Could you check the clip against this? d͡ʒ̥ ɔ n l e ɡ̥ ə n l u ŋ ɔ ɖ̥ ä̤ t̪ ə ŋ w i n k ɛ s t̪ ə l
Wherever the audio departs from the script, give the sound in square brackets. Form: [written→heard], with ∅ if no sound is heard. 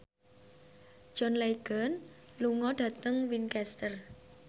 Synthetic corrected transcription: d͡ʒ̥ ɔ n l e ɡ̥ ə n l u ŋ ɔ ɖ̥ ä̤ t̪ ə ŋ w i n k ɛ s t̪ ə [l→r]